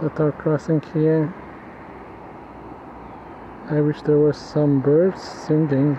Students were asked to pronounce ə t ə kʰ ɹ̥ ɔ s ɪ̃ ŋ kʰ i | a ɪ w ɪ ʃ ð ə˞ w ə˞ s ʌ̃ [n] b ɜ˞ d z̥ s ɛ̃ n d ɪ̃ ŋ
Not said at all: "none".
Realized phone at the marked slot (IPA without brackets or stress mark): m